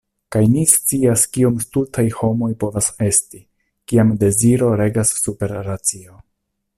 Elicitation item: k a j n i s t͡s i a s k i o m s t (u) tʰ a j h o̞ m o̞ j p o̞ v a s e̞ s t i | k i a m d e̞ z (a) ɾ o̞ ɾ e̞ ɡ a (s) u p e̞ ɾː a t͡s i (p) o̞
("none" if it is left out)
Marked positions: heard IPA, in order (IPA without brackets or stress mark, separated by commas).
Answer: u, i, sː, none